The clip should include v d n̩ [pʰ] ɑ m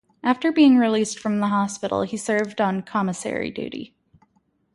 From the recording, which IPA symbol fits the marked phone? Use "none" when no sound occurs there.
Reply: kʰ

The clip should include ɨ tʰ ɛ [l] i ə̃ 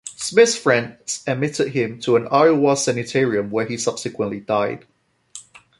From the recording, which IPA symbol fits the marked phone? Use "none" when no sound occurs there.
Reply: ɹ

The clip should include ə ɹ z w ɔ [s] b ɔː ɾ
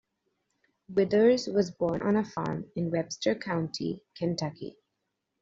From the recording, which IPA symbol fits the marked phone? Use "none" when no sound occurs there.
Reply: z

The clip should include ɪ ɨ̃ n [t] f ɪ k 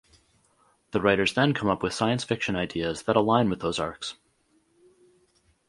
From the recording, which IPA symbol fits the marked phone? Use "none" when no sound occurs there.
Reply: s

